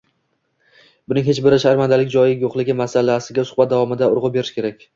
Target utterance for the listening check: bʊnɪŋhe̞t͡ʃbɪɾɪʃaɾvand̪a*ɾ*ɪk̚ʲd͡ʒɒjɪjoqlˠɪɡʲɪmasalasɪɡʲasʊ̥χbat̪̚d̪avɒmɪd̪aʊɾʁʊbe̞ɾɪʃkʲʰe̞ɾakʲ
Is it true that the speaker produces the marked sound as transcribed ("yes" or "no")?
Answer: no